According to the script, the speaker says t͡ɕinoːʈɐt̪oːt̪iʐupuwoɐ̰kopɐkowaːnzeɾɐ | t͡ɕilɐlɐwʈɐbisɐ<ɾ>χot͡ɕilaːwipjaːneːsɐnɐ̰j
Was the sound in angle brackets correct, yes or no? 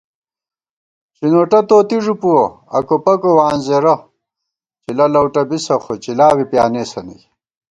no